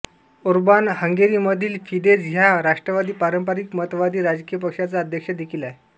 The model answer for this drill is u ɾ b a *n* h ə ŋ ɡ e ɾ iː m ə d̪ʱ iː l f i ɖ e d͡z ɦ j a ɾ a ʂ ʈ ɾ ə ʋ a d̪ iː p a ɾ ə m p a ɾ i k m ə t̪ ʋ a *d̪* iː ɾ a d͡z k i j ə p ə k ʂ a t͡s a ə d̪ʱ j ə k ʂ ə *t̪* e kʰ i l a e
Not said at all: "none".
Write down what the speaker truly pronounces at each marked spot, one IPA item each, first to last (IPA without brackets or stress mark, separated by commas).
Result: n, d̪, d̪